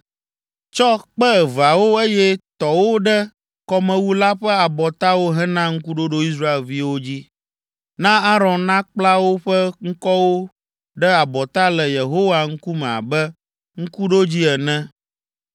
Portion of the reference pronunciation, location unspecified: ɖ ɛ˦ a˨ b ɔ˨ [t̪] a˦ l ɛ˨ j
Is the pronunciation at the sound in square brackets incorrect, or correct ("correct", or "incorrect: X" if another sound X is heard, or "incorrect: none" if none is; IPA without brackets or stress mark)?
correct